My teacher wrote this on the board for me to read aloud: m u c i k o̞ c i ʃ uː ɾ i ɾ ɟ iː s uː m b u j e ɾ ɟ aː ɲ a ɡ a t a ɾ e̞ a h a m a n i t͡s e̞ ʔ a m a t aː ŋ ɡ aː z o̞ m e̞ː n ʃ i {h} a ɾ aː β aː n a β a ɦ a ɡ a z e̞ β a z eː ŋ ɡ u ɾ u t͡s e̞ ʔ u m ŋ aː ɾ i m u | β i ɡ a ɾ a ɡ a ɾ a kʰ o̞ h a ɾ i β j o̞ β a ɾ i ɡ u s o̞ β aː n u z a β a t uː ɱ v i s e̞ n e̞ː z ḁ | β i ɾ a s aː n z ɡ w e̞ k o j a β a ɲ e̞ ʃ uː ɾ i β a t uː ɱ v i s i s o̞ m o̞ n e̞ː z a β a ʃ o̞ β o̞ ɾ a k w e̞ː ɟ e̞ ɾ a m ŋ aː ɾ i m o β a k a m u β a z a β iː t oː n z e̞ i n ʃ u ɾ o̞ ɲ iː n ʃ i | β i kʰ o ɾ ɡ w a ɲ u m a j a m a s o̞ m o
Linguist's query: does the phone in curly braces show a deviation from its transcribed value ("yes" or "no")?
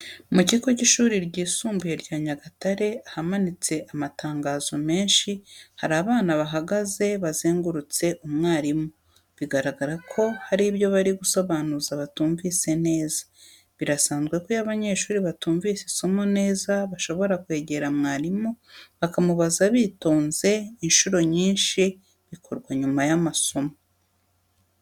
no